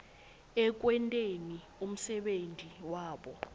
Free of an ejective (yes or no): no